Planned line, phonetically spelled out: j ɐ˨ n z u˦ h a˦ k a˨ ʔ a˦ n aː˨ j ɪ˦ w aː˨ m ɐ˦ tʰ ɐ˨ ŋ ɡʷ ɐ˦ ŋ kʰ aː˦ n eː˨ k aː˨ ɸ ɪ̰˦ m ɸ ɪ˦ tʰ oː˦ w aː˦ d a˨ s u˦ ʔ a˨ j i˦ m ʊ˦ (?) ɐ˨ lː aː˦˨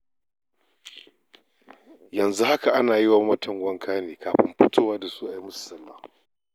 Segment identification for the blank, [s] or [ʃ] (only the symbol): s